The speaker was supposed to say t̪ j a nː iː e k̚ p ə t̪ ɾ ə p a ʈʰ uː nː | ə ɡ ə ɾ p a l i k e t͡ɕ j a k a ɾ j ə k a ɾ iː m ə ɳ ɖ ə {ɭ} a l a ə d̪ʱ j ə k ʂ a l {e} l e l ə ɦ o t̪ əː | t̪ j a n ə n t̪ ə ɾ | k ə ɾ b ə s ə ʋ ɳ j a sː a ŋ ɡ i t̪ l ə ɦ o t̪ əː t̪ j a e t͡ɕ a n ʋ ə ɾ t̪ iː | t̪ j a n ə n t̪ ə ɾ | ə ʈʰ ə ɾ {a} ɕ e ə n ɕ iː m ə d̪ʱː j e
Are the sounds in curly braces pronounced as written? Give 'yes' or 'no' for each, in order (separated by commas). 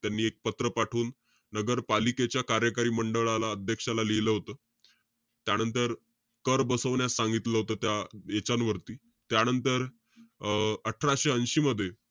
yes, no, yes